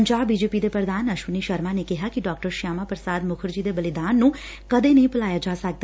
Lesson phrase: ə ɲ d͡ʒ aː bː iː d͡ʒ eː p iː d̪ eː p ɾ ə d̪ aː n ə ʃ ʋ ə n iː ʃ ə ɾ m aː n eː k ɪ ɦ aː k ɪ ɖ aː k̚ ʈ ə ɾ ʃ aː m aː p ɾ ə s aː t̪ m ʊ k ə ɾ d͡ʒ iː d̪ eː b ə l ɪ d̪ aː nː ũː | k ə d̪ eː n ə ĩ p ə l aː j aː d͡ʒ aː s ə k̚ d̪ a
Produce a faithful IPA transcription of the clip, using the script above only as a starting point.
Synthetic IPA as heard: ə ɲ d͡ʒ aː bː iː d͡ʒ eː p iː d̪ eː p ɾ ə d̪ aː n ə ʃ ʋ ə n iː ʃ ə ɾ m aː n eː k ɪ ɦ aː k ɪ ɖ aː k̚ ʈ ə ɾ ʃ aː m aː p ɾ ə s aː d̪ m ʊ kʰ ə ɾ d͡ʒ iː d̪ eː b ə l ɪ d̪ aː nː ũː | k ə d̪ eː n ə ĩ p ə l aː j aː d͡ʒ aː s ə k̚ d̪ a